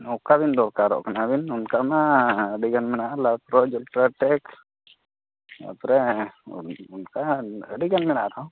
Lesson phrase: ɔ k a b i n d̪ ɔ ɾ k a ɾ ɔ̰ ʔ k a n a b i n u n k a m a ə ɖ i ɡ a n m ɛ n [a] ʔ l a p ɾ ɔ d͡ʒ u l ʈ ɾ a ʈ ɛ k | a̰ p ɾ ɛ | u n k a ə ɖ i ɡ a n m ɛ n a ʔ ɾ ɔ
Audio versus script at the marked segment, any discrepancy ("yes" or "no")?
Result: no